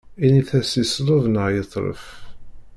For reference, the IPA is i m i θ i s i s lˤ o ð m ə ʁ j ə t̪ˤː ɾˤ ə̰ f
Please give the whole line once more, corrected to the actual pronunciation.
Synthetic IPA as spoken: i n i θ æ s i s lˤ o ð n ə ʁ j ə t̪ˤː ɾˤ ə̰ f